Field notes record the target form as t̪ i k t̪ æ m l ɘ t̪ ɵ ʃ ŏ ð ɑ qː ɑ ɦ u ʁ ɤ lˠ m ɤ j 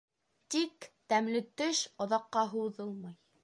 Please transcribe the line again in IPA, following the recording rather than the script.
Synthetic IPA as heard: t̪ i k t̪ æ m l ɘ t̪ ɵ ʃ ŏ ð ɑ qː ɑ ɦ u ð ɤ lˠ m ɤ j